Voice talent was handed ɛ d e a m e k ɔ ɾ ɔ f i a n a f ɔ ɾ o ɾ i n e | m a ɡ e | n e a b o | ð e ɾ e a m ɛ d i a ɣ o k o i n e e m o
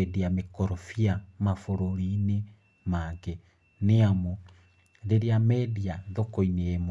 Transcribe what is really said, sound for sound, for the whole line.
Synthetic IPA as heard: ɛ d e a m e k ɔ ɾ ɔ f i a m a f o ɾ o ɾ i n e | m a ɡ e | n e a m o | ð e ɾ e a m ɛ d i a ð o k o i n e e m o